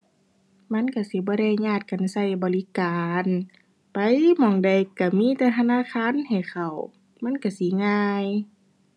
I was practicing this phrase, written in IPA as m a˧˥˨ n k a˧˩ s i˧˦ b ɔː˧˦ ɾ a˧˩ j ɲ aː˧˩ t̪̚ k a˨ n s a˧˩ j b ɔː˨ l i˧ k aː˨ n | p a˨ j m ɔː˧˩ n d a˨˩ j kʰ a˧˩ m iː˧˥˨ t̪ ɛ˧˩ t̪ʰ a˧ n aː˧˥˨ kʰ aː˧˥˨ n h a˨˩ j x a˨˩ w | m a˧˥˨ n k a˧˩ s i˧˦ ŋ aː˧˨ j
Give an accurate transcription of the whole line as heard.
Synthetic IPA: m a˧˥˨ n k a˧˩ s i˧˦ b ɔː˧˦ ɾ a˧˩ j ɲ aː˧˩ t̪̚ k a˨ n s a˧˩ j b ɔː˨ l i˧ k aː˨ n | p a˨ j m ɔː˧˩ ŋ d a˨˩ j k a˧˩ m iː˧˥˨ t̪ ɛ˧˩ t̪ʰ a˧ n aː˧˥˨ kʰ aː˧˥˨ n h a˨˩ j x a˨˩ w | m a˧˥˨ n k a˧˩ s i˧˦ ŋ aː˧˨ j